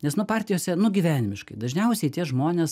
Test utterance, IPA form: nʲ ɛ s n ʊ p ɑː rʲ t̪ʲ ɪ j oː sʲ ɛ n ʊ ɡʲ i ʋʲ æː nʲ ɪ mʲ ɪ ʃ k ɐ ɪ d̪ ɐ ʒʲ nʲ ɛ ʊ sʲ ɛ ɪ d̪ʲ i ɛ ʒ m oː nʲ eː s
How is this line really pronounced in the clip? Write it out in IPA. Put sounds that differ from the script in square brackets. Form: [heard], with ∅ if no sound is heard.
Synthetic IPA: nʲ ɛ s n ʊ p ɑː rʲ t̪ʲ ɪ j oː sʲ ɛ n ʊ ɡʲ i ʋʲ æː nʲ ɪ mʲ ɪ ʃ k ɐ ɪ d̪ ɐ ʒʲ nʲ ɛ ʊ sʲ ɛ ɪ [t̪ʲ] i ɛ ʒ m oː nʲ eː s